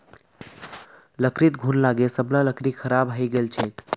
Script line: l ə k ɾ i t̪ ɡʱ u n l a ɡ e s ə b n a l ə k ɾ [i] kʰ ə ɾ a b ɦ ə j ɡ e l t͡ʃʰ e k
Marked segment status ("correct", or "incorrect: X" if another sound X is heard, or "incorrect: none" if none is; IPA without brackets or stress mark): correct